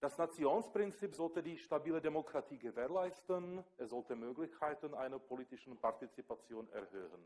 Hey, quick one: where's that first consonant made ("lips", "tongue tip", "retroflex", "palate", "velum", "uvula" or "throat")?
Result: tongue tip